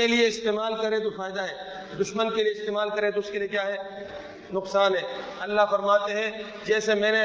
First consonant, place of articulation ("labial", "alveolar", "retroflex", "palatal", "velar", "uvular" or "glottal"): alveolar